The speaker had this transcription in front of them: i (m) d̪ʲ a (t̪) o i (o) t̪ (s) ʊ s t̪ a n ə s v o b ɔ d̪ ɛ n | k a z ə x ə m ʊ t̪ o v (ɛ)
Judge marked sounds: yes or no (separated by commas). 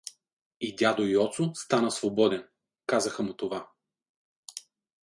no, no, no, yes, no